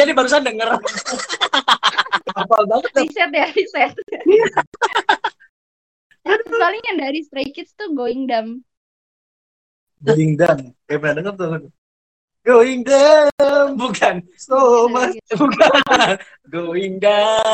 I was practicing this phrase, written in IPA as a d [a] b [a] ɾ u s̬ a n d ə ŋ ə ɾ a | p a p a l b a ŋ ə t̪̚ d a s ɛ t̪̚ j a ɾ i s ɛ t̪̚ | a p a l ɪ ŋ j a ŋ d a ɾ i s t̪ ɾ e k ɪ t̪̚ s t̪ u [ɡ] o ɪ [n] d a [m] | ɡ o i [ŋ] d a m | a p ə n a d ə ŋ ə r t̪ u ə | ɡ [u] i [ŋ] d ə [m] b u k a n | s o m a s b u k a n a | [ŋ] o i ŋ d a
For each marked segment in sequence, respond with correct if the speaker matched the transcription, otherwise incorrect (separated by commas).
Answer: incorrect, correct, correct, incorrect, correct, correct, incorrect, correct, correct, incorrect